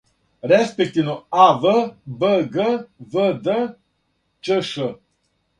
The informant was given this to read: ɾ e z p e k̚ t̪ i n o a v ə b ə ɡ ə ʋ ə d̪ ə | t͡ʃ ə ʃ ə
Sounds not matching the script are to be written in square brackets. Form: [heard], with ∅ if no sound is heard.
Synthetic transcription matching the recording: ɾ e [s] p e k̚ t̪ i n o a v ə b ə ɡ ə [v] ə d̪ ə | t͡ʃ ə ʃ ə

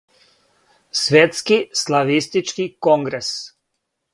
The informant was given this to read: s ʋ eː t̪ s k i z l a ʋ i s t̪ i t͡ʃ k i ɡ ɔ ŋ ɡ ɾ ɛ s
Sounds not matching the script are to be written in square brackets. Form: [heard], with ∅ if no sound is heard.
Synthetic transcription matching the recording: s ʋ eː t̪ s k i [s] l a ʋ i s t̪ i t͡ʃ k i [k] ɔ ŋ ɡ ɾ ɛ s

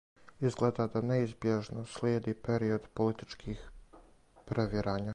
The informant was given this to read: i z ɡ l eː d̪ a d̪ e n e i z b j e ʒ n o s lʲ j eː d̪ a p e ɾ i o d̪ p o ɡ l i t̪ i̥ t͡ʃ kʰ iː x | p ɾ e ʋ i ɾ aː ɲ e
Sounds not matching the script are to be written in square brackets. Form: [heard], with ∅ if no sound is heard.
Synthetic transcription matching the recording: i z ɡ l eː d̪ a d̪ [a] n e i z b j e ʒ n o s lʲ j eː d̪ [i] p e ɾ i o d̪ p o [∅] l i t̪ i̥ t͡ʃ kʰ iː x | p ɾ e ʋ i ɾ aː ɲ [a]

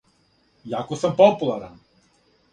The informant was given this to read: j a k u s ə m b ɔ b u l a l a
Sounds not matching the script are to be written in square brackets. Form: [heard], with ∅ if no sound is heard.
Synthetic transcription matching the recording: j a k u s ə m [p] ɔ [p] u l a [ɾ] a

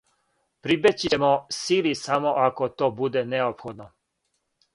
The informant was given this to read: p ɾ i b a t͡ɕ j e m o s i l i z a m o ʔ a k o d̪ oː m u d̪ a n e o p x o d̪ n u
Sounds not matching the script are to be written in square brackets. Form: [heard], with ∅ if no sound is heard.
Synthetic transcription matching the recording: p ɾ i b [e] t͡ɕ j e m o s i l i [s] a m o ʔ a k o [t̪] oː [b] u d̪ [e] n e o p x o d̪ n [o]

